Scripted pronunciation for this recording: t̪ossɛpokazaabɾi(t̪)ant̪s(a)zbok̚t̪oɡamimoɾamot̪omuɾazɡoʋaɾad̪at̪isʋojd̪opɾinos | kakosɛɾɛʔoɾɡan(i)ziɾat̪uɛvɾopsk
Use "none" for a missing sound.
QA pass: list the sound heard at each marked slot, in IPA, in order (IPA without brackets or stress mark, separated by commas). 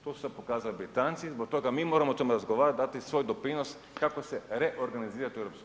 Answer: t̪, i, i